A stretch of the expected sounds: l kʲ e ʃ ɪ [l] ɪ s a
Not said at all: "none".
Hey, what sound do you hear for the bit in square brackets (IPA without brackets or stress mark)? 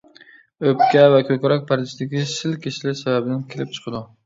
l